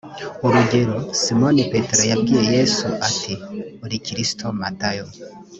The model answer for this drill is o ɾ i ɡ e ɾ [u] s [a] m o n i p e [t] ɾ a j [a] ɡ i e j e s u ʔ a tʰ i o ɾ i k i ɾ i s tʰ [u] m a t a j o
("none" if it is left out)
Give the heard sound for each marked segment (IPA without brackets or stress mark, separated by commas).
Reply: o, i, t, a, o